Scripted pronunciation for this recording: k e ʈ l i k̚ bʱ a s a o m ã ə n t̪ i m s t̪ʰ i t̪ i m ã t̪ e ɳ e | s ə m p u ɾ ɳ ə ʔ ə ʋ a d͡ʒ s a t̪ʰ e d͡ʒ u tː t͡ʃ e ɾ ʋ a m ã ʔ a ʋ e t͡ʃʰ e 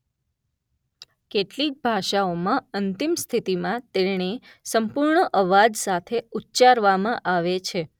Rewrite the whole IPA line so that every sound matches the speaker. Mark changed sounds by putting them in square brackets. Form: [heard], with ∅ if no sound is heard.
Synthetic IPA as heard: k e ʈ l i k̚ bʱ a [ʃ] a o m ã ə n t̪ i m s t̪ʰ i t̪ i m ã t̪ e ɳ e | s ə m p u ɾ ɳ ə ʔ ə ʋ a d͡ʒ s a t̪ʰ e [∅] u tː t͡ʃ [a] ɾ ʋ a m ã ʔ a ʋ e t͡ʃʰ e

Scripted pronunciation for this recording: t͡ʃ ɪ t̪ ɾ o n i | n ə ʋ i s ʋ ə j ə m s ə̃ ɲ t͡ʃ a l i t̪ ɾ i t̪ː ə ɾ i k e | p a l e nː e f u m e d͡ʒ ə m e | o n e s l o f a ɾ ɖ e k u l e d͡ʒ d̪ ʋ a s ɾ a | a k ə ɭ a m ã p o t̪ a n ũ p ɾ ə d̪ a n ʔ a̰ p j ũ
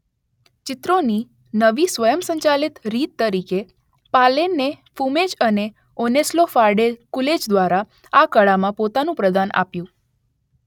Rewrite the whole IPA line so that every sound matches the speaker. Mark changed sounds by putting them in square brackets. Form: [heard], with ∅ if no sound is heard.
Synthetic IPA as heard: t͡ʃ ɪ t̪ ɾ o n i | n ə ʋ i s ʋ ə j ə m s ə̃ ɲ t͡ʃ a l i t̪ ɾ i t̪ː ə ɾ i k e | p a l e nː e f u m e d͡ʒ ə [n] e | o n e s l o f a ɾ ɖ e k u l e d͡ʒ d̪ ʋ a [∅] ɾ a | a k ə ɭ a m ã p o t̪ a n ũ p ɾ ə d̪ a n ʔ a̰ p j ũ

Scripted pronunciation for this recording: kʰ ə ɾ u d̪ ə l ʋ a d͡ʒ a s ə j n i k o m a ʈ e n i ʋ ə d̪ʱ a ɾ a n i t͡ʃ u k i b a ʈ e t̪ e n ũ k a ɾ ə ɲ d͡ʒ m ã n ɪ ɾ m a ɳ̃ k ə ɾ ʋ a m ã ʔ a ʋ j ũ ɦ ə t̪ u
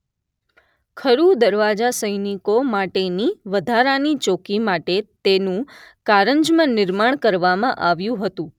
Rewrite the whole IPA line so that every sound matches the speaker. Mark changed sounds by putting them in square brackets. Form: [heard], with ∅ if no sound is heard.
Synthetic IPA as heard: kʰ ə ɾ u d̪ ə [ɾ] ʋ a d͡ʒ a s ə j n i k o m a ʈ e n i ʋ ə d̪ʱ a ɾ a n i t͡ʃ [o] k i [m] a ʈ e t̪ e n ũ k a ɾ ə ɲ d͡ʒ m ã n ɪ ɾ m a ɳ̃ k ə ɾ ʋ a m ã ʔ a ʋ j ũ ɦ ə t̪ [ũ]

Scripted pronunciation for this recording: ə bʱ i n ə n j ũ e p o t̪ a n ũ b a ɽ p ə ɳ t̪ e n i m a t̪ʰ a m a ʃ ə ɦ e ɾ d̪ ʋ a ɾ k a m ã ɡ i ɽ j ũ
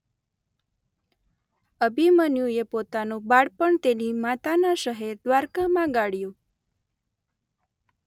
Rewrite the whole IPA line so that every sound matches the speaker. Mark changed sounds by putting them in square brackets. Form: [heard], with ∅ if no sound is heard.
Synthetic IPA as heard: ə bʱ i [m] ə n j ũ e p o t̪ a n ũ b a ɽ p ə ɳ t̪ e n i m a [t̪] a [n] a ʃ ə ɦ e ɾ d̪ ʋ a ɾ k a m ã ɡ [a] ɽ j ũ

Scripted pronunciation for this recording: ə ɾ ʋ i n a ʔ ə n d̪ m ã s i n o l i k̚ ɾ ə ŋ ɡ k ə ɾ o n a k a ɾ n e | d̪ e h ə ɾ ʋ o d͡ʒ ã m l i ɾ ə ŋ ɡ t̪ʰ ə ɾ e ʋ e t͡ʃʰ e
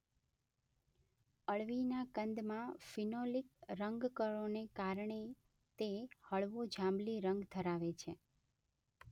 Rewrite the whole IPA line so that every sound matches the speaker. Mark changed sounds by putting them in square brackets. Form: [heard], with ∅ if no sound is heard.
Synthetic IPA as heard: ə [ɭ] ʋ i n a [k] ə n d̪ m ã [f] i n o l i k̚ ɾ ə ŋ ɡ k ə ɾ o n [e] k a ɾ [ɳ] e | [t̪] e h ə [ɭ] ʋ o d͡ʒ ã m l i ɾ ə ŋ ɡ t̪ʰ ə ɾ [a] ʋ e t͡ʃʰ e

